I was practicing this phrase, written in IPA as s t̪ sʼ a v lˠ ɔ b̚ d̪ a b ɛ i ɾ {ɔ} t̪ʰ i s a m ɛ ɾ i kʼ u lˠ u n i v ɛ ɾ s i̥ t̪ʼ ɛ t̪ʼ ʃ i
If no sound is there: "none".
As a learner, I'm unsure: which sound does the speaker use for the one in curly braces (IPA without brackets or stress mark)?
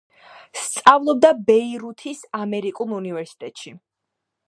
u